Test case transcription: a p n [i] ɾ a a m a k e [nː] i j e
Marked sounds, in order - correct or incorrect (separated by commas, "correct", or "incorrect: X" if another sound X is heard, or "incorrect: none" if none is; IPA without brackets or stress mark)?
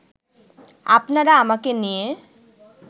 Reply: incorrect: a, incorrect: n